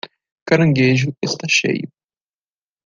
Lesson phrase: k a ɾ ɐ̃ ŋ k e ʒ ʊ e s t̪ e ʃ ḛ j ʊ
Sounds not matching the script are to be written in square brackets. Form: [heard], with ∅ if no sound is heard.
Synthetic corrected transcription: k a ɾ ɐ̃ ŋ [ɡ] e ʒ ʊ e s t̪ [a] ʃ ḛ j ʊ